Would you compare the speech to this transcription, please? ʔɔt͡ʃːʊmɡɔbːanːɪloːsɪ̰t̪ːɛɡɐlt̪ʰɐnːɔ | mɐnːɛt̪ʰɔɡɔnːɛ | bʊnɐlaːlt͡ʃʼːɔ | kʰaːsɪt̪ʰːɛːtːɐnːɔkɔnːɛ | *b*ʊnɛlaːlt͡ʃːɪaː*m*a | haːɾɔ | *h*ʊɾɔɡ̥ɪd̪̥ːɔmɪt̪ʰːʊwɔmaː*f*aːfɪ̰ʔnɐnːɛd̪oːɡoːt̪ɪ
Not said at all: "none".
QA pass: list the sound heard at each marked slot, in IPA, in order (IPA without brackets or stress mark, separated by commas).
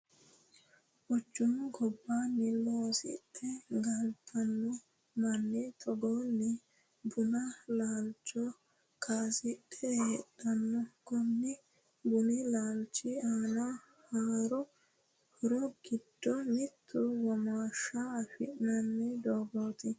b, n, h, ʃ